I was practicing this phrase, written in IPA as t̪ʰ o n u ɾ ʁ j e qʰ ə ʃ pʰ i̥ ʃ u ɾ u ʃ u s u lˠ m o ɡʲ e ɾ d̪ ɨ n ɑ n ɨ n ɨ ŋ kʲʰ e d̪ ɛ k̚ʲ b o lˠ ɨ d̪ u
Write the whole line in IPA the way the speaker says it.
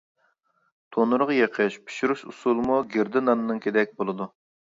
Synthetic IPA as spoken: t̪ʰ o n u ɾ ʁ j e qʰ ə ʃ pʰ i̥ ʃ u ɾ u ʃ u s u lˠ m u ɡʲ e ɾ d̪ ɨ n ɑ n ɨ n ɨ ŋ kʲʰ e d̪ ɛ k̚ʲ b o lˠ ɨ d̪ u

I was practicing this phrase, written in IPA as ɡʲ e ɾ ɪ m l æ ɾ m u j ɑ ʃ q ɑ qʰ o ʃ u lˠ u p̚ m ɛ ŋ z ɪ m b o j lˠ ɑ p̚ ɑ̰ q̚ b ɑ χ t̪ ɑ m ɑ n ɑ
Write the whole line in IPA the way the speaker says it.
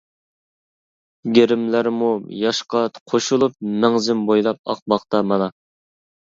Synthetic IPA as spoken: ɡʲ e ɾ ɪ m l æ ɾ m u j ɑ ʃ q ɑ qʰ o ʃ u lˠ u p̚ m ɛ ŋ z ɪ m b o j lˠ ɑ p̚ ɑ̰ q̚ b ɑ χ t̪ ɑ m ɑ n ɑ

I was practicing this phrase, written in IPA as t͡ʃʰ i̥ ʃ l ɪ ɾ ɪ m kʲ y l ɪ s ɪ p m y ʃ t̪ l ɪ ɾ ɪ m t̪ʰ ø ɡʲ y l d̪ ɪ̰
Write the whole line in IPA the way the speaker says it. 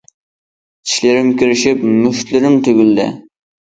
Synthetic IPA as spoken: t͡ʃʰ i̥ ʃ l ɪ ɾ ɪ m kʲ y ɾ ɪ ʃ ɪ p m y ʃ t̪ l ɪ ɾ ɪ m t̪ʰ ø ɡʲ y l d̪ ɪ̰

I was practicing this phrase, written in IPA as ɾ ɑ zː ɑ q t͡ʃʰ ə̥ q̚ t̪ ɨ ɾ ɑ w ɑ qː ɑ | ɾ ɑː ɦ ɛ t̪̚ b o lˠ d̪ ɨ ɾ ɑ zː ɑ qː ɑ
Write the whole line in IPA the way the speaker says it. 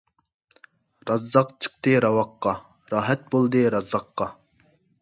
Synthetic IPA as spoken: ɾ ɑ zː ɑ q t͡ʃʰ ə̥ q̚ t̪ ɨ ɾ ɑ w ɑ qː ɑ | ɾ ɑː ɦ ɛ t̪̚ b o lˠ d̪ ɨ ɾ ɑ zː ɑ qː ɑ

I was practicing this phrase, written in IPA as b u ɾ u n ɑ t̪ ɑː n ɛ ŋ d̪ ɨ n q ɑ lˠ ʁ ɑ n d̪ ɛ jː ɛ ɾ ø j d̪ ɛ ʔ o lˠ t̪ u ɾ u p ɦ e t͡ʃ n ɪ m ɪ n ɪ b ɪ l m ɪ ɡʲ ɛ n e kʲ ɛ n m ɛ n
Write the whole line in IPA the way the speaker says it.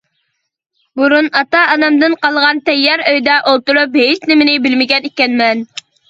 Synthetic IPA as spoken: b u ɾ u n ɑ t̪ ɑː n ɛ m d̪ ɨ n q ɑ lˠ ʁ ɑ n t̪ ɛ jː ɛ ɾ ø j d̪ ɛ ʔ o lˠ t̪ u ɾ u p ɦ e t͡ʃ n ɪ m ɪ n ɪ b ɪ l m ɪ ɡʲ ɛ n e kʲ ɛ n m ɛ n

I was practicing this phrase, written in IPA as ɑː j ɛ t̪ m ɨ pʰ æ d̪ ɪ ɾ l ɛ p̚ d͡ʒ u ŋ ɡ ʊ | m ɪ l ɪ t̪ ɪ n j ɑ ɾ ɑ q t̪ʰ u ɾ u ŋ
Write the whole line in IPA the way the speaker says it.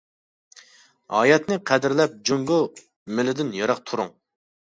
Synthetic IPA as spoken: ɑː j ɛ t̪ n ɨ qʰ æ d̪ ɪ ɾ l ɛ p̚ d͡ʒ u ŋ ɡ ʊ | m ɪ l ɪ d̪ ɪ n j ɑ ɾ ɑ q t̪ʰ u ɾ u ŋ

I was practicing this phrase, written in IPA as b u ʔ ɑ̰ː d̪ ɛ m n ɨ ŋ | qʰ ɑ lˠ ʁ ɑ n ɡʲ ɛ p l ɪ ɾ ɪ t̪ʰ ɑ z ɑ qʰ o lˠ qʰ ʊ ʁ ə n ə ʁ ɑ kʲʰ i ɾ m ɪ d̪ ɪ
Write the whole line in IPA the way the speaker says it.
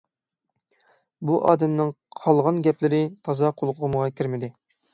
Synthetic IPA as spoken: b u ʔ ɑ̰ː d̪ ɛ m n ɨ ŋ | qʰ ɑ lˠ ʁ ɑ n ɡʲ ɛ p l ɪ ɾ ɪ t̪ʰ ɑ z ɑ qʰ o lˠ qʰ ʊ ʁ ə m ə ʁ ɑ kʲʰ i ɾ m ɪ d̪ ɪ

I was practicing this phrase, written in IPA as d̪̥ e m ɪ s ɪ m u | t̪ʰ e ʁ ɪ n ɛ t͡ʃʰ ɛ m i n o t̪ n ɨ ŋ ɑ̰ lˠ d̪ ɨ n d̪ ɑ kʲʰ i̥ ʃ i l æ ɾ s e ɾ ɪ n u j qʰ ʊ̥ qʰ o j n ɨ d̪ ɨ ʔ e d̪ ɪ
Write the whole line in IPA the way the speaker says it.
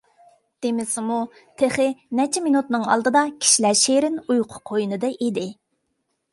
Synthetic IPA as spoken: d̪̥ e m ɪ s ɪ m u | t̪ʰ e χ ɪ n ɛ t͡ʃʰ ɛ m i n u t̪ n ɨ ŋ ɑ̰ lˠ d̪ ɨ d̪ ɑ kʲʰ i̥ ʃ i l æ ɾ ʃ e ɾ ɪ n u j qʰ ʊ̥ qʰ o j n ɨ d̪ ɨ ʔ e d̪ ɪ

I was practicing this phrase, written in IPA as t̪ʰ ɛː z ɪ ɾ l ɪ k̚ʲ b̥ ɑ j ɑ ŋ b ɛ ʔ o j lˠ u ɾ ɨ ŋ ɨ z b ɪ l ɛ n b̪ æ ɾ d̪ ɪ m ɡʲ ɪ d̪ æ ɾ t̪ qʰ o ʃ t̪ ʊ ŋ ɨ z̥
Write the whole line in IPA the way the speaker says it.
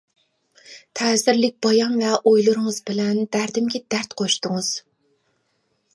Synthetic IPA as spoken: t̪ʰ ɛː z ɪ ɾ l ɪ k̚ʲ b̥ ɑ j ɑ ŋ v ɛ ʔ o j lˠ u ɾ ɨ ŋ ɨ z b ɪ l ɛ n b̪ æ ɾ d̪ ɪ m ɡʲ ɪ d̪ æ ɾ t̪ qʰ o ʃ t̪ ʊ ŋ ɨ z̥

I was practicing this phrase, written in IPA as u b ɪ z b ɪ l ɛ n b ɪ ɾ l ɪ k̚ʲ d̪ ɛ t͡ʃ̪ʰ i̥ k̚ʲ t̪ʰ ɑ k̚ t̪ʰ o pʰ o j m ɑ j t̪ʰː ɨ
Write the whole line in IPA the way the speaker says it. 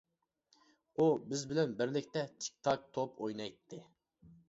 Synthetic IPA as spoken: u b ɪ z b ɪ l ɛ n b ɪ ɾ l ɪ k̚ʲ t̪ ɛ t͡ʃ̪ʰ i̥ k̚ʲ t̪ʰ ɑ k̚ t̪ʰ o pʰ o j n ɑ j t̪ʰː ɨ

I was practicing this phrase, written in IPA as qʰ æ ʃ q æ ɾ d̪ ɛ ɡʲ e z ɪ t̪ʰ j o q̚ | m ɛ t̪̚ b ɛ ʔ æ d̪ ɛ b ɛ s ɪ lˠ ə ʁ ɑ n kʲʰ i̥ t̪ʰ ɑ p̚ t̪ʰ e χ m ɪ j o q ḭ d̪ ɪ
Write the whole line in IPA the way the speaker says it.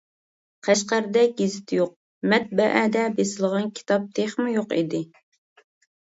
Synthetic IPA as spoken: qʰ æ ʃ q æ ɾ d̪ ɛ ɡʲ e z ɪ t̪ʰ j o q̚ | m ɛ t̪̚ b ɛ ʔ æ d̪ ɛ b e s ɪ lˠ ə ʁ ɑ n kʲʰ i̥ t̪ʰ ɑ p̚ t̪ʰ e χ m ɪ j o q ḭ d̪ ɪ

